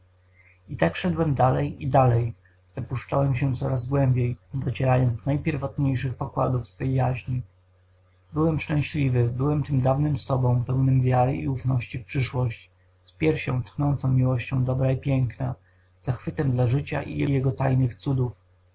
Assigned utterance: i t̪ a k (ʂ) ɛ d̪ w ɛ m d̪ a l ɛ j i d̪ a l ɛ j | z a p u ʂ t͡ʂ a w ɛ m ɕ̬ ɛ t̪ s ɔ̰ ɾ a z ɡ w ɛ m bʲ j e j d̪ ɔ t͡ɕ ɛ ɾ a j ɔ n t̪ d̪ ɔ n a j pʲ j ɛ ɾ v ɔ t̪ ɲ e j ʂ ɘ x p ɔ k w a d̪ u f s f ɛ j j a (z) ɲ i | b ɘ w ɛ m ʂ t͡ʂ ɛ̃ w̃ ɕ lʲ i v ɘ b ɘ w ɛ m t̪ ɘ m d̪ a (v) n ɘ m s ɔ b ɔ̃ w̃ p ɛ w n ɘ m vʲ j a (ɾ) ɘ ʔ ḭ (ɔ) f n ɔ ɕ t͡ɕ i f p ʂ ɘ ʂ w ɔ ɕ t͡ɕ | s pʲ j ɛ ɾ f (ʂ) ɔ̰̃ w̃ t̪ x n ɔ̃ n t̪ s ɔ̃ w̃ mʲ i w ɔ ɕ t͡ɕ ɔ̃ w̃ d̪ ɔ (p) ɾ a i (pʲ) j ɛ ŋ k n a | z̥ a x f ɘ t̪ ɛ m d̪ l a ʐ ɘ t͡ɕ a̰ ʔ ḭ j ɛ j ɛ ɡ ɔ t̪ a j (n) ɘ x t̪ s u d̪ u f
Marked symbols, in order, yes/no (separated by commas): yes, no, yes, yes, no, no, no, yes, yes